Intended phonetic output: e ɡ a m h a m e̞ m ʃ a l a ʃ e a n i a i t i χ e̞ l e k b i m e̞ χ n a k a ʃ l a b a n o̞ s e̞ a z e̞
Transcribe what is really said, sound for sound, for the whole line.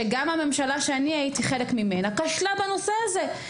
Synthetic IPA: e ɡ a m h a m e̞ m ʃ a l a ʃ e a n i a i t i χ e̞ l e k m i m e̞ n a k a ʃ l a b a n o̞ s e̞ a z e̞